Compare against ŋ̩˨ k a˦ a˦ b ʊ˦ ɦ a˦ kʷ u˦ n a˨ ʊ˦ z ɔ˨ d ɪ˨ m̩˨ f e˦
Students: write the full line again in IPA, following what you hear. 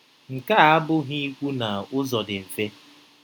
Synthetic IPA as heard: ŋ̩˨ k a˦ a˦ b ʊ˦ ɦ i˦ kʷ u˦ n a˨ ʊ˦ z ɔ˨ d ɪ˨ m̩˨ f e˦